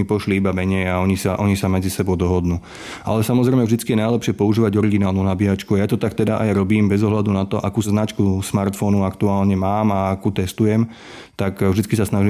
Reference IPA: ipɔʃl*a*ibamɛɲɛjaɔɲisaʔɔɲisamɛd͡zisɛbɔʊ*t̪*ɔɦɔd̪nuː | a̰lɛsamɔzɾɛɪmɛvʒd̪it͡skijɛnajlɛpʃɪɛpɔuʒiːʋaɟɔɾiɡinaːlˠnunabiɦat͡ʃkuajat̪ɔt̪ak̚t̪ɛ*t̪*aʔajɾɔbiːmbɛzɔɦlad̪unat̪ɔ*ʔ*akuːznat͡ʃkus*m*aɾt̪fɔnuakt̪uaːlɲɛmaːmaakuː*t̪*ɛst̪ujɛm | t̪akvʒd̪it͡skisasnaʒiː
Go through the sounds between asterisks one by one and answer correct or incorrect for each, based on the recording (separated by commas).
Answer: incorrect, incorrect, incorrect, correct, correct, correct